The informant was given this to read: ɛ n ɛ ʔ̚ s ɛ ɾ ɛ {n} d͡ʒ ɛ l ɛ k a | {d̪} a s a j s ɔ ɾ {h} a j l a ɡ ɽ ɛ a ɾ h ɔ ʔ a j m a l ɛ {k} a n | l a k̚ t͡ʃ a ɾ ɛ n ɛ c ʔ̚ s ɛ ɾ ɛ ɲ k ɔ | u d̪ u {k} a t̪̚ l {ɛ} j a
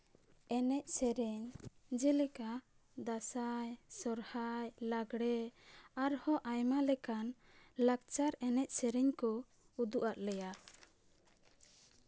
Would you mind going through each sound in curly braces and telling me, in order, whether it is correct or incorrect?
incorrect: ɲ, correct, correct, correct, incorrect: ʔ, correct

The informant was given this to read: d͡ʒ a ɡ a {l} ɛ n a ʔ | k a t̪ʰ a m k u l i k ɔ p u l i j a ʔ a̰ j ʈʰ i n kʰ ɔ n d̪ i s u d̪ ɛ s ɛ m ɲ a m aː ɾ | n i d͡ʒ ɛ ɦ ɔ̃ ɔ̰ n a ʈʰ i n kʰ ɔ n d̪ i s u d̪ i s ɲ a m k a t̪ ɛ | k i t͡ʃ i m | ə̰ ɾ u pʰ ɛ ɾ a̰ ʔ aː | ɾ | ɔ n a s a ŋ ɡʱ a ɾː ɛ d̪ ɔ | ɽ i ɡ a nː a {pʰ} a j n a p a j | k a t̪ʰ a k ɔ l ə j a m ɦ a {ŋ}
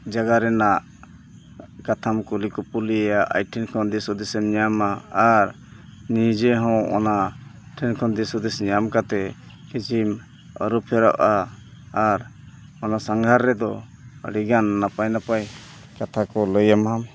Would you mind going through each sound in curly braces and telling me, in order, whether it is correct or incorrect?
incorrect: ɾ, incorrect: p, incorrect: m

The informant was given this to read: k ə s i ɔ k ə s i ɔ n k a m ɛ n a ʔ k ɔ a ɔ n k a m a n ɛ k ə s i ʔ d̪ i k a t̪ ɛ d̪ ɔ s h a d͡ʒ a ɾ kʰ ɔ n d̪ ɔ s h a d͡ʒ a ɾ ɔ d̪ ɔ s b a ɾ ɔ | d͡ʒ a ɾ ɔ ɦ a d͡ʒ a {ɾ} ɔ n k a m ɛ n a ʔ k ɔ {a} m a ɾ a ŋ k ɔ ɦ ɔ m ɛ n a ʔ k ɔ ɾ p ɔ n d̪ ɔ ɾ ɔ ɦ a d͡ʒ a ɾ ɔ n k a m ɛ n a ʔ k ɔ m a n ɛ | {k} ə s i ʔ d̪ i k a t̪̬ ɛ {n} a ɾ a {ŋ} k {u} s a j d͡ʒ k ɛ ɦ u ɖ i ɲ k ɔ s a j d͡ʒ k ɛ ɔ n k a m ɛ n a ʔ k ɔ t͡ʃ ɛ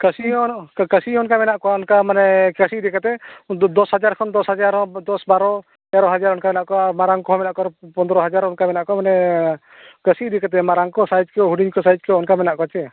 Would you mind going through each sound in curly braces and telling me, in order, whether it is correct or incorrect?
correct, correct, correct, incorrect: m, correct, incorrect: ɔ

